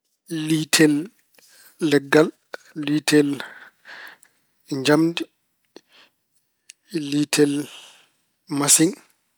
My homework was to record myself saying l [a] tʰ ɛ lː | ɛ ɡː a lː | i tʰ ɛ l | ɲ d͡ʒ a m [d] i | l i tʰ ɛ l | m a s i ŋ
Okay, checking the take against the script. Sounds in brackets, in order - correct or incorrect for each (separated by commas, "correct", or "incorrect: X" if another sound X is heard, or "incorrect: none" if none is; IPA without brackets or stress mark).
incorrect: i, correct